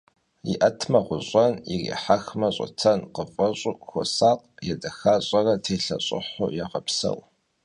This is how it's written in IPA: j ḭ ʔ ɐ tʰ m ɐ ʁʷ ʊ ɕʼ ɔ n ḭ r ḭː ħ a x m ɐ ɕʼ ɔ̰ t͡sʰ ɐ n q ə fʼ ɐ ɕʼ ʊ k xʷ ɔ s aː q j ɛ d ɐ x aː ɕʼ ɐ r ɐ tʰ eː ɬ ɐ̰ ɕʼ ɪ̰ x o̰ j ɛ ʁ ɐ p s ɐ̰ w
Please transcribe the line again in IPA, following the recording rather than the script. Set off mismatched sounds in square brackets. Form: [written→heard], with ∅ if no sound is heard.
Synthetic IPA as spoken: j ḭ ʔ ɐ tʰ m ɐ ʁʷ ʊ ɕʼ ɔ n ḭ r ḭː ħ a x m ɐ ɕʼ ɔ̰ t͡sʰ ɐ n q ə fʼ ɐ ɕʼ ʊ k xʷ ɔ s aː q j ɛ d ɐ x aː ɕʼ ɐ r ɐ tʰ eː ɬ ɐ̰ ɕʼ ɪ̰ [x→ħ] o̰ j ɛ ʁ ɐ p s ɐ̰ w